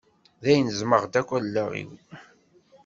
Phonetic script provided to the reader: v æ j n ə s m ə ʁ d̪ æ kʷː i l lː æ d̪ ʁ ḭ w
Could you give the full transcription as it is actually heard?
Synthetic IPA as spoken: ð æ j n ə z m ə ʁ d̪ æ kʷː æ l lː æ ʁ ḭ w